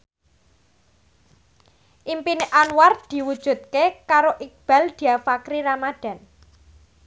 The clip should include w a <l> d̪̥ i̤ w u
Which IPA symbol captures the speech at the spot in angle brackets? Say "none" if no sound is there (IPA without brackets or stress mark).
r